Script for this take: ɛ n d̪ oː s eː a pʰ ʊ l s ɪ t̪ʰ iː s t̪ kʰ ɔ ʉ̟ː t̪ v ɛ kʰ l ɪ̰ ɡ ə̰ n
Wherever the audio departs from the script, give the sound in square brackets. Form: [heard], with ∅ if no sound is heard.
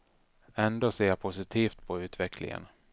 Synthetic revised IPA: ɛ n d̪ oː s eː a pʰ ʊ [∅] s ɪ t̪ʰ iː [f] t̪ [pʰ] ɔ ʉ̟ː t̪ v ɛ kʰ l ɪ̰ [ŋ] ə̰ n